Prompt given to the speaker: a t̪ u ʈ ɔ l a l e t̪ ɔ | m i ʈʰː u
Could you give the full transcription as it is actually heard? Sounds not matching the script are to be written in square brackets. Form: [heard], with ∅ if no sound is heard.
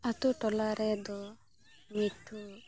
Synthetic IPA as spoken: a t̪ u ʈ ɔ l a [ɾ] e [d̪] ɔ | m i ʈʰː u